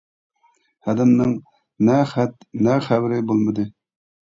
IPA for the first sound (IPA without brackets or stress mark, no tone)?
h